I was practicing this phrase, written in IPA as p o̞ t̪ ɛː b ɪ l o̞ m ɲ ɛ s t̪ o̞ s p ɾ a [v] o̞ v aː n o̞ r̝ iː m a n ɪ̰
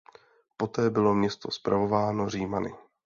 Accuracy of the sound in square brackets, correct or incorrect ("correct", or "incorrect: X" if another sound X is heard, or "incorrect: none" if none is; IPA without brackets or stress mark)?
correct